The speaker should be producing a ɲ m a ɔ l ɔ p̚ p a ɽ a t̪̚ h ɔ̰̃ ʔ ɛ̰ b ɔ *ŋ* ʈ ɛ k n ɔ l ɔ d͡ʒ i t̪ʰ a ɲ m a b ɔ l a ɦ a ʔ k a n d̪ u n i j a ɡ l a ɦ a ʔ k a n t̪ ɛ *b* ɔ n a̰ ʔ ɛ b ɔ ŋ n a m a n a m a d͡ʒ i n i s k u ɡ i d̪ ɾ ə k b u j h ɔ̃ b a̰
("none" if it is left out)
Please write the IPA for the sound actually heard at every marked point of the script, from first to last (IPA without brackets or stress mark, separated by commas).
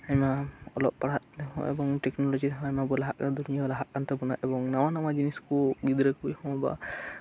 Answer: ŋ, b